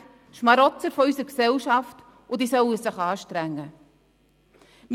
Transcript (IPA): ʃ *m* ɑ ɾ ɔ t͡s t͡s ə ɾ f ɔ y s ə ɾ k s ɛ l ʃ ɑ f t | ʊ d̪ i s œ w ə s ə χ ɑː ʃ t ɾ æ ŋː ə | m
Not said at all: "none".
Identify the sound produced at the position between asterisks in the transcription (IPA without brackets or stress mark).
m